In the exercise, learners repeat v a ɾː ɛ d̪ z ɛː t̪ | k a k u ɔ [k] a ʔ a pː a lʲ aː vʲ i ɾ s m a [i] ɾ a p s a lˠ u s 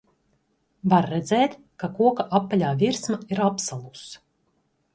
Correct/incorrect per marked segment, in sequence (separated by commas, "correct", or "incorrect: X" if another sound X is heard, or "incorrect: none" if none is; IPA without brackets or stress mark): correct, correct